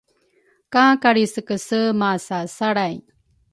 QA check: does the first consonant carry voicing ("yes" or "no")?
no